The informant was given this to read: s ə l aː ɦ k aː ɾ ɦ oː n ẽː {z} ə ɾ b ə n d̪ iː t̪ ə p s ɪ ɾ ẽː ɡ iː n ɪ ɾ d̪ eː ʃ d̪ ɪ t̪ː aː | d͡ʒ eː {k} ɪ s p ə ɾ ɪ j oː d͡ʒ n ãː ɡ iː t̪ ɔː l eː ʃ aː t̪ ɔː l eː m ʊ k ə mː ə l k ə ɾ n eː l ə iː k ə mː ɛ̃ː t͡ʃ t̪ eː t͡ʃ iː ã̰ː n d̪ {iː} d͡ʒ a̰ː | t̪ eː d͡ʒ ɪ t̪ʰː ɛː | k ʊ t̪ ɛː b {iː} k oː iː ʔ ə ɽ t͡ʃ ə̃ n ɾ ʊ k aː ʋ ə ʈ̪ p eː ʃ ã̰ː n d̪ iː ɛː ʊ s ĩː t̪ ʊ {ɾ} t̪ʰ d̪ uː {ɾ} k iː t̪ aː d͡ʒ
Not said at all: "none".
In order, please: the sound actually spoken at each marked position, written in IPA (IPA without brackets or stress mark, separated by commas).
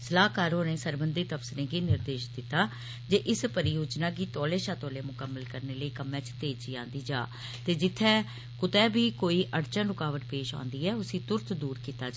s, ʔ, iː, iː, ɾ, ɾ